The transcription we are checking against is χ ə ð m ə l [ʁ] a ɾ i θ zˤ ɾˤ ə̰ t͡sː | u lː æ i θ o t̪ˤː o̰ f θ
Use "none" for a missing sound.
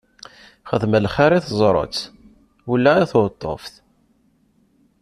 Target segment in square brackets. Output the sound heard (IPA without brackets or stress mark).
χ